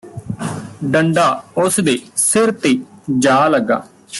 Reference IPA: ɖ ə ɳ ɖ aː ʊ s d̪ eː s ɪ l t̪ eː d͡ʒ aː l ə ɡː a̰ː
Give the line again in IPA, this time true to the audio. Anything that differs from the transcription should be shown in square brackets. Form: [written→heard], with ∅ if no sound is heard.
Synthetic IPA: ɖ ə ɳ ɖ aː ʊ s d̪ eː s ɪ [l→ɾ] t̪ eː d͡ʒ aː l ə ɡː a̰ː

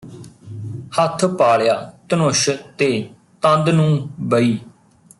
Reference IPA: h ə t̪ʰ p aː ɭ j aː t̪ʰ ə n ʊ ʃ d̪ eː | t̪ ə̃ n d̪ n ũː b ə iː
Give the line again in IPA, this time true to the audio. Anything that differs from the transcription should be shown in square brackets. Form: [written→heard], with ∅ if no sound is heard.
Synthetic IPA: h ə t̪ʰ p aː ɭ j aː [t̪ʰ→t̪] ə n ʊ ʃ [d̪→t̪] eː | t̪ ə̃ n d̪ n ũː b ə iː

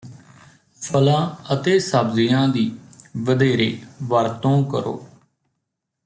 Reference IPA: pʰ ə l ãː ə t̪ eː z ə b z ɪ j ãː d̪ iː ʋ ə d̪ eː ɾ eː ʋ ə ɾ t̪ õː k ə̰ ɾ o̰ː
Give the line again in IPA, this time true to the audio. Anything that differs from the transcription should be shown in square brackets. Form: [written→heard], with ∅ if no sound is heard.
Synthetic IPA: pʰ ə l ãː ə t̪ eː [z→s] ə b z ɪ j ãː d̪ iː ʋ ə d̪ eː ɾ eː ʋ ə ɾ t̪ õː k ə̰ ɾ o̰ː

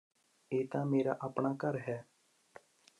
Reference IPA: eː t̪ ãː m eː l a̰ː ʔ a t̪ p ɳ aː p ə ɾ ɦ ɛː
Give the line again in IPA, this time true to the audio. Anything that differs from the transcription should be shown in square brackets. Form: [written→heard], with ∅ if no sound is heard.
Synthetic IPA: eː t̪ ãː m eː [l→ɾ] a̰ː ʔ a [t̪→∅] p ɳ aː [p→k] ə ɾ ɦ ɛː

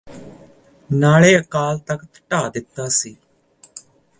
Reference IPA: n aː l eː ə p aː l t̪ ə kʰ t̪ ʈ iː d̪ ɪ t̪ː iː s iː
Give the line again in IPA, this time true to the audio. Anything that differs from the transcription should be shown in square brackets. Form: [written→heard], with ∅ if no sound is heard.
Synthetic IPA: n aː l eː ə [p→k] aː l t̪ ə [kʰ→k] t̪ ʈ [iː→aː] d̪ ɪ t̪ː [iː→aː] s iː

